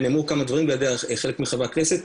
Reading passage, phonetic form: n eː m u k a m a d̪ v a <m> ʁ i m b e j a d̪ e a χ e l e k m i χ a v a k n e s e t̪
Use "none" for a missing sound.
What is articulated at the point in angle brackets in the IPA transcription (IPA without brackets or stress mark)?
none